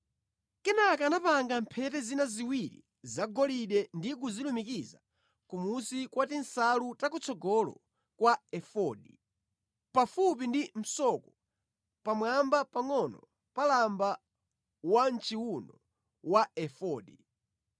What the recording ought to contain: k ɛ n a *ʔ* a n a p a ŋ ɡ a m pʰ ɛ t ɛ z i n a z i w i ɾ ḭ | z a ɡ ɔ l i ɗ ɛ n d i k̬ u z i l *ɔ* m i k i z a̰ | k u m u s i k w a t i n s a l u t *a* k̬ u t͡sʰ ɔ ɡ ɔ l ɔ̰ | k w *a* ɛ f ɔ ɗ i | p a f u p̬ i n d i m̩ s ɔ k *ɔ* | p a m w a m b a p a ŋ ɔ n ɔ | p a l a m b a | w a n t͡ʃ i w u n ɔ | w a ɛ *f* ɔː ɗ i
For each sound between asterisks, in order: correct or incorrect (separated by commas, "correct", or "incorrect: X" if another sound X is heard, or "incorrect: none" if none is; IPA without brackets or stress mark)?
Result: incorrect: k, incorrect: u, correct, correct, correct, correct